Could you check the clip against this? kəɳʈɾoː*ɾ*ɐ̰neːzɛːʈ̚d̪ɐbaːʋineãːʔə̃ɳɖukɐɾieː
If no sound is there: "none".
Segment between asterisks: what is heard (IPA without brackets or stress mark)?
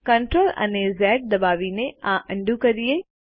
l